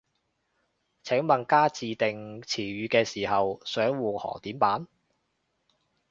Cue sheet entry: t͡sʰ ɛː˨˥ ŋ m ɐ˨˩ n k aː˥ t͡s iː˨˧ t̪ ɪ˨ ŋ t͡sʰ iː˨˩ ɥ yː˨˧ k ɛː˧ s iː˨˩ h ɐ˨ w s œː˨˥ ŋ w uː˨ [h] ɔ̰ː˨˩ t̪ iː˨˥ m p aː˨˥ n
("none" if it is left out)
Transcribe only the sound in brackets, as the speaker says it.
h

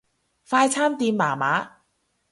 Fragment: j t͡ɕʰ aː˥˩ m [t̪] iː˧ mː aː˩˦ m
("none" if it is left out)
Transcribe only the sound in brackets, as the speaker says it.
t̪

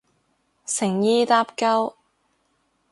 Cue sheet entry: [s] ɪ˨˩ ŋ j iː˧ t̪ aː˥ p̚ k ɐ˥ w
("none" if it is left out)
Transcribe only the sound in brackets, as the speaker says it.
s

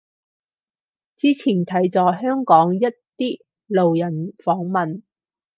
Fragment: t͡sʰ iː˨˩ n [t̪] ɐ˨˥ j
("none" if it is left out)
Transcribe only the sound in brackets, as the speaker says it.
t̪ʰ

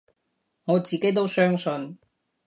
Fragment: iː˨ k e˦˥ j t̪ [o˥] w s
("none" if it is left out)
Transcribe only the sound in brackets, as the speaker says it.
o˥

